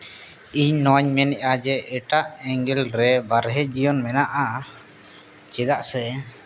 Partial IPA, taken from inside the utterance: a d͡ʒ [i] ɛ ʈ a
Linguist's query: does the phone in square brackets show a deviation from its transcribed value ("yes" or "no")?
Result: yes